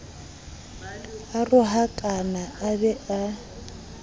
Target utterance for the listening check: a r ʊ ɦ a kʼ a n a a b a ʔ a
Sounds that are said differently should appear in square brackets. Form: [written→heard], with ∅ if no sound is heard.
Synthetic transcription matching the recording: a r ʊ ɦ a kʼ a n a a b [a→ɛ] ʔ a